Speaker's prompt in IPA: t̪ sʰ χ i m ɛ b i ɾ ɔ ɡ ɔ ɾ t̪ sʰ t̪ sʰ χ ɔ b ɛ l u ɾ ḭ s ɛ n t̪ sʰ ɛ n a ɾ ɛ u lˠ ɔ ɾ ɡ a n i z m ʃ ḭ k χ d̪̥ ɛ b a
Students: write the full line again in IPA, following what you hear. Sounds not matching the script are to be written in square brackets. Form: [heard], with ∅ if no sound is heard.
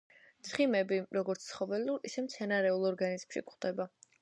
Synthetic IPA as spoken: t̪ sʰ χ i m ɛ b i ɾ ɔ ɡ ɔ ɾ t̪ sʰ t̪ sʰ χ ɔ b ɛ l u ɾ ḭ s ɛ [m] t̪ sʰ ɛ n a ɾ ɛ u lˠ ɔ ɾ ɡ a n i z m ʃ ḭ k χ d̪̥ ɛ b a